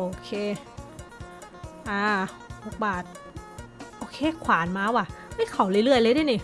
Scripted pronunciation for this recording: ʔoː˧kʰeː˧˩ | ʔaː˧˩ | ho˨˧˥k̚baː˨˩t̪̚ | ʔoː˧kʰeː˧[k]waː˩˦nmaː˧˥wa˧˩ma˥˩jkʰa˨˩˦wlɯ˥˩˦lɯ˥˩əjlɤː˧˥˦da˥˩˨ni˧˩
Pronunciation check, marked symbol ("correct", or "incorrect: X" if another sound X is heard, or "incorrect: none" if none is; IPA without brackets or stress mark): incorrect: kʰ